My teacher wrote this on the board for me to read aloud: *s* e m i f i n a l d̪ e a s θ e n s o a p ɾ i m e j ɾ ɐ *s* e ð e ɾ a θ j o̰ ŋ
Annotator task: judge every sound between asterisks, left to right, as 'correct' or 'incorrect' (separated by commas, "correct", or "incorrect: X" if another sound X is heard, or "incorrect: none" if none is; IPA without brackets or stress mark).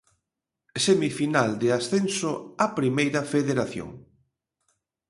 correct, incorrect: f